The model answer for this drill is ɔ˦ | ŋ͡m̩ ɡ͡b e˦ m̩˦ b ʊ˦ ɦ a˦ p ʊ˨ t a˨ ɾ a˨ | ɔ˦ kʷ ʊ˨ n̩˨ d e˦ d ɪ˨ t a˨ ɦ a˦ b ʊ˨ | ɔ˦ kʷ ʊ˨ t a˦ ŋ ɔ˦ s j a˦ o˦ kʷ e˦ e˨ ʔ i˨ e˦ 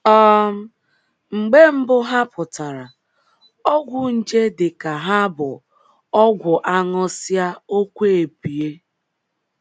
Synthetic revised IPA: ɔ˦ | ŋ͡m̩ ɡ͡b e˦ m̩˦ b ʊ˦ ɦ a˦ p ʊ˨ t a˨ ɾ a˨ | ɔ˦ ɡʷ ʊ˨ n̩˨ d͡ʒ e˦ d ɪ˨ k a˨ ɦ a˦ b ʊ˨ | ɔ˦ ɡʷ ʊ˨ ʔ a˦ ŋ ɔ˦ s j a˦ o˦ kʷ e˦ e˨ p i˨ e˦

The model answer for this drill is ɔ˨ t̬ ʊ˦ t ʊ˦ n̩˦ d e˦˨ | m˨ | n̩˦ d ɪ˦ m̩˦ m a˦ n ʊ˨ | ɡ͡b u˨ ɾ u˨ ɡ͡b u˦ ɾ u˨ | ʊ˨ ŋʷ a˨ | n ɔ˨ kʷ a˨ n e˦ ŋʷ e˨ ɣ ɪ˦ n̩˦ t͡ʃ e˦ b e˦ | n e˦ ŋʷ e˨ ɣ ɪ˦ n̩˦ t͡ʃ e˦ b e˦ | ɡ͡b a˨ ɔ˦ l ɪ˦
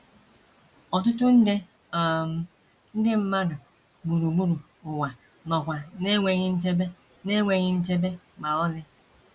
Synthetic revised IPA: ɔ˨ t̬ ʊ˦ t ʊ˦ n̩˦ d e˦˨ | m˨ | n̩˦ d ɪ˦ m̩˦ m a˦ d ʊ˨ | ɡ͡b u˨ ɾ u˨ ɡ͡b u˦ ɾ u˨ | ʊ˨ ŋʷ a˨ | n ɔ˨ kʷ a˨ n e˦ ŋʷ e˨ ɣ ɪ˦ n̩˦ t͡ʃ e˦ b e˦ | n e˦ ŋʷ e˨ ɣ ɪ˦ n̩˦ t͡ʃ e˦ b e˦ | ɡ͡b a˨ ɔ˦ l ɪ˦

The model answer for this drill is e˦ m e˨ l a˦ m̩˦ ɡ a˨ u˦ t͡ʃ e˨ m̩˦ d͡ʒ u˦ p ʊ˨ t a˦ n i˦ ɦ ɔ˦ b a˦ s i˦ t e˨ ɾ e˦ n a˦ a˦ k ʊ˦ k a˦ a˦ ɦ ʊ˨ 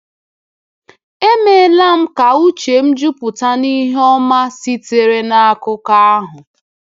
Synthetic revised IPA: e˦ m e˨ l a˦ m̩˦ k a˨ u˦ t͡ʃ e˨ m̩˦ d͡ʒ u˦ p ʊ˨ t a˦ n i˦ ɦ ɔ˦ m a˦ s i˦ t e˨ ɾ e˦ n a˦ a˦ k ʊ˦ k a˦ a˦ ɦ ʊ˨

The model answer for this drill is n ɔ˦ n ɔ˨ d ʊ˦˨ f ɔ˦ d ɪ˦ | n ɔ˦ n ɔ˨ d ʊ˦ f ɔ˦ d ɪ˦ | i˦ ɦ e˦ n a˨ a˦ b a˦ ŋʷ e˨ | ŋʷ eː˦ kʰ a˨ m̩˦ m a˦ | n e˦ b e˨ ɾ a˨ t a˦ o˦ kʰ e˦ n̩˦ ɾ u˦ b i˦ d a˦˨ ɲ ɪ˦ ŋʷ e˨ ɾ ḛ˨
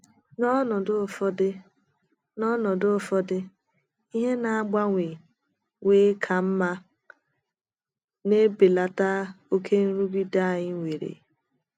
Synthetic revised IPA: n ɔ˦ n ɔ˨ d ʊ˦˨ f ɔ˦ d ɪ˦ | n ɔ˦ n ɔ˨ d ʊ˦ f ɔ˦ d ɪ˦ | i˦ ɦ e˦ n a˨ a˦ ɡ͡b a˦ ŋʷ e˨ | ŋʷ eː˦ kʰ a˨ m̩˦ m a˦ | n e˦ b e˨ l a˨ t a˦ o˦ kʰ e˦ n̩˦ ɾ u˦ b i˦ d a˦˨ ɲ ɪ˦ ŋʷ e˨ ɾ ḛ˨

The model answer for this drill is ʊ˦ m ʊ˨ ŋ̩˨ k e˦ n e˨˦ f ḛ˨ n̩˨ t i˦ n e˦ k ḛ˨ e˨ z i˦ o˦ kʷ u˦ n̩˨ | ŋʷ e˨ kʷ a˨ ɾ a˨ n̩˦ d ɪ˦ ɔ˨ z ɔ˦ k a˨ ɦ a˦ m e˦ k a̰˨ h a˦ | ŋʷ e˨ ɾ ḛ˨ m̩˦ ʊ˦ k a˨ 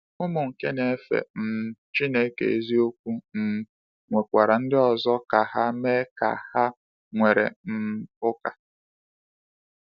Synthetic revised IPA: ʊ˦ m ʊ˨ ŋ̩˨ k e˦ n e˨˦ f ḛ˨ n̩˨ t͡ʃ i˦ n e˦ k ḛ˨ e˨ z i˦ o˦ kʷ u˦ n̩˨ | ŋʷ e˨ kʷ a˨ ɾ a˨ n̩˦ d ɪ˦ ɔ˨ z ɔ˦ k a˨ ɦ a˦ m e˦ k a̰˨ h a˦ | ŋʷ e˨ ɾ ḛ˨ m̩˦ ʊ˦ k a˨

